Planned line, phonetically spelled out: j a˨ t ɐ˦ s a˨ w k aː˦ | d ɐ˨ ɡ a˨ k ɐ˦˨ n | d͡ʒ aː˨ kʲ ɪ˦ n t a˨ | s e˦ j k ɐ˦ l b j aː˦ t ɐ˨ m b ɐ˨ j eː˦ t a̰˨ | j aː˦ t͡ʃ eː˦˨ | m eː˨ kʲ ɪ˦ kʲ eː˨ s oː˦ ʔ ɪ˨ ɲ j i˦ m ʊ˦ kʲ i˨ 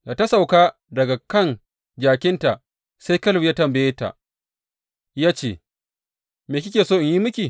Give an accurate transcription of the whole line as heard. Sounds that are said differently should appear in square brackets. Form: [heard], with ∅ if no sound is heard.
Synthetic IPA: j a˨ t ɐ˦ s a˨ w k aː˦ | d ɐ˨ ɡ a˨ k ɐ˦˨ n | d͡ʒ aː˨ kʲ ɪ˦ n t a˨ | s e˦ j k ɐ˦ l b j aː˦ t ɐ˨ m b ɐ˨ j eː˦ t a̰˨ | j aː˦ t͡ʃ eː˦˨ | m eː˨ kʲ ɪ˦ kʲ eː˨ s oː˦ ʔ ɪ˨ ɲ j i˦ m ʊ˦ kʲ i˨